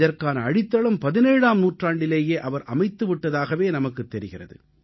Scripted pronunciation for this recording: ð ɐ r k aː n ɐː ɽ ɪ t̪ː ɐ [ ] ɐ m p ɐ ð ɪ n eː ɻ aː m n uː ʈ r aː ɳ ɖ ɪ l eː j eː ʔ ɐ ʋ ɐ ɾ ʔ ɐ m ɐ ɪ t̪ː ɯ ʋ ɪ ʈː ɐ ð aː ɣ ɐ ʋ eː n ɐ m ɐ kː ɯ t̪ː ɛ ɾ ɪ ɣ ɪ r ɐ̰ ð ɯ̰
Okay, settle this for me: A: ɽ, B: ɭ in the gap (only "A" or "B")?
B